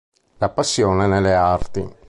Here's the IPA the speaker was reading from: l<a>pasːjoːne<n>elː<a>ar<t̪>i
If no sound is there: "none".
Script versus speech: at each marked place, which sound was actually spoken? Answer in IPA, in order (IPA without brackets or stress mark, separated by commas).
a, n, e, t̪